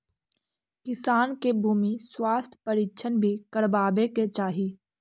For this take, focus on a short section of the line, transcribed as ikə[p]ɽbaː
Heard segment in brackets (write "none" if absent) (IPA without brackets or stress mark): none